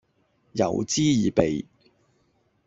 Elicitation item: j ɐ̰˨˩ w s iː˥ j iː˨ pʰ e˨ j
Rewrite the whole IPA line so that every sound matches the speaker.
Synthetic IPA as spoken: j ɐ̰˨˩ w t͡s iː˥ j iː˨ p e˨ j